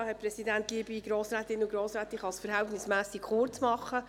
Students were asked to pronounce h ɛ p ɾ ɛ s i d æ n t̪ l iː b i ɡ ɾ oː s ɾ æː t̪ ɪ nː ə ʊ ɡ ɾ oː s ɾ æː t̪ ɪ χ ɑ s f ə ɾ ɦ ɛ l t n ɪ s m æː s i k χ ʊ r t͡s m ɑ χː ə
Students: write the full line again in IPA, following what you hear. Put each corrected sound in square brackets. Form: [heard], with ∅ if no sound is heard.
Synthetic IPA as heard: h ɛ p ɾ ɛ s i d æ n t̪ l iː b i ɡ ɾ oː s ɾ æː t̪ ɪ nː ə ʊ ɡ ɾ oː s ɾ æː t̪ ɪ χ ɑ s f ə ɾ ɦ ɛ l t n ɪ s m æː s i k χ ʊ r t͡s m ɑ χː ə